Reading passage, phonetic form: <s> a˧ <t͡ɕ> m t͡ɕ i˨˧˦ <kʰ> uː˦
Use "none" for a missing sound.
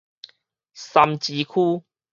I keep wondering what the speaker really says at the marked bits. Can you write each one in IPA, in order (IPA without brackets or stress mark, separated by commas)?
s, none, kʰ